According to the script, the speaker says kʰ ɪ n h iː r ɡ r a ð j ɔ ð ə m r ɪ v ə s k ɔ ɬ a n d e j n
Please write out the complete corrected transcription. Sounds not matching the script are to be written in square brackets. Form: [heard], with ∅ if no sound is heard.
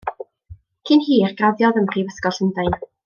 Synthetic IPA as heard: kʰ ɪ n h iː r ɡ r a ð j ɔ ð ə m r [i] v ə s k ɔ ɬ [ə] n d [a] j n

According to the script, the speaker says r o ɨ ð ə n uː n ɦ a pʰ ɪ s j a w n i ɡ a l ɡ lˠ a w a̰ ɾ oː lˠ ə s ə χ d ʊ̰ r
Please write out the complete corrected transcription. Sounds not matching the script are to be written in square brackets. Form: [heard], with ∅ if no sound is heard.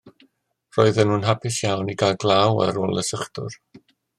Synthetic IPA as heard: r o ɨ ð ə n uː n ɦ a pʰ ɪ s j a w n i ɡ a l ɡ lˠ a w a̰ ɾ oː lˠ ə s ə χ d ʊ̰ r

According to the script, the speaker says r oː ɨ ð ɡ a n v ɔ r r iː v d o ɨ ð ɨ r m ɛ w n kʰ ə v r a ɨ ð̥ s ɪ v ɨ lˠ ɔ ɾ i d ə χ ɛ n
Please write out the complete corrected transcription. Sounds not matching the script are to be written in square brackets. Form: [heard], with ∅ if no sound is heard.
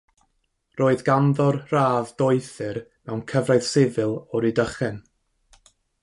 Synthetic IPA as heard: r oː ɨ ð ɡ a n [ð] ɔ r r [aː] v d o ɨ [θ] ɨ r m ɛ w n kʰ ə v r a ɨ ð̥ s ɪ v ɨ lˠ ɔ ɾ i d ə χ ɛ n

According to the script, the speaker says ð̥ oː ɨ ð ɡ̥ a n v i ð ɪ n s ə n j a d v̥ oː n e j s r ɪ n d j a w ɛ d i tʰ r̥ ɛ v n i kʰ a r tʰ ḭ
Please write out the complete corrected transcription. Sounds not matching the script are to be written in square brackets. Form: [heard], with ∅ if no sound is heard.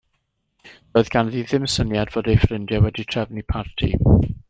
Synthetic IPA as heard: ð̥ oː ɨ ð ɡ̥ a n [ð] i ð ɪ [m] s ə n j a d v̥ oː [d] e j [f] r ɪ n d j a w ɛ d i tʰ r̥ ɛ v n i [pʰ] a r tʰ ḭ

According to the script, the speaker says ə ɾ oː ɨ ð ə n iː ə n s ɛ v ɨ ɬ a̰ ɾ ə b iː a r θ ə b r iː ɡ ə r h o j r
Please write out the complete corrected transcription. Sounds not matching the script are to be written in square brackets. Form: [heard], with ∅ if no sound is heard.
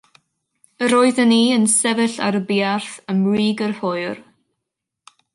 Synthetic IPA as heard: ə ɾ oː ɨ ð ə n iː ə n s ɛ v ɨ ɬ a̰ ɾ ə b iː a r θ ə [m] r iː ɡ ə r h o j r

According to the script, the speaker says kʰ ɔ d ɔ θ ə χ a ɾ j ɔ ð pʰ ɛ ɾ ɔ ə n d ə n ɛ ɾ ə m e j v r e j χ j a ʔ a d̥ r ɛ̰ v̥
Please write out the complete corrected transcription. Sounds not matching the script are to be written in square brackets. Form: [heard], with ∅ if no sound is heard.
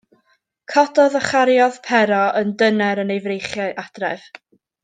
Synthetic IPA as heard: kʰ ɔ d ɔ [ð] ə χ a ɾ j ɔ ð pʰ ɛ ɾ ɔ ə n d ə n ɛ ɾ ə [n] e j v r e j χ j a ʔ a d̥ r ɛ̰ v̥

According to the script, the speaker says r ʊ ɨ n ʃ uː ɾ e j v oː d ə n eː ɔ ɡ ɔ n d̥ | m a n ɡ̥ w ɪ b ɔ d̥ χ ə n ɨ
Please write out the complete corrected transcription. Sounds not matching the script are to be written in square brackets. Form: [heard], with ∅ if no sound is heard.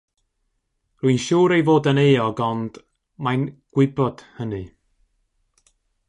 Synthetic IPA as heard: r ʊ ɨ n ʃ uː ɾ e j v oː d ə n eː ɔ ɡ ɔ n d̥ | m a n ɡ̥ w ɪ b ɔ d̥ [h] ə n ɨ

